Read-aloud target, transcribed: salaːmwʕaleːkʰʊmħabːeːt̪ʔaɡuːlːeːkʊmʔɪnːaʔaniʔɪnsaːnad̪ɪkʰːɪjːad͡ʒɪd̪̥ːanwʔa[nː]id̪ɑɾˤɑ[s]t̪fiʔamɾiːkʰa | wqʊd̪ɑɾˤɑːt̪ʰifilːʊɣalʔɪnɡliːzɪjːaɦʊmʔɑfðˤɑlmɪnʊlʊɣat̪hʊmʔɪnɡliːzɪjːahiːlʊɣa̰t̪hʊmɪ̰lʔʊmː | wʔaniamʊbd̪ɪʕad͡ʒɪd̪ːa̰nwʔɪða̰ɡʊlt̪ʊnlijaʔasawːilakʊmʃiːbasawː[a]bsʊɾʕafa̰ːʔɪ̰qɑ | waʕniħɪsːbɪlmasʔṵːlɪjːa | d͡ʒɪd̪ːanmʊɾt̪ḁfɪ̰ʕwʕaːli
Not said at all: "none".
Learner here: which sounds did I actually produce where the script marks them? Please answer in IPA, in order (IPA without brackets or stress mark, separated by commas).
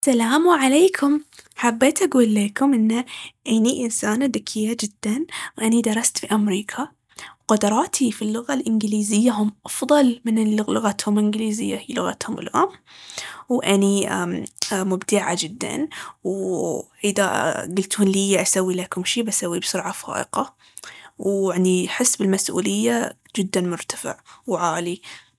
n, s, i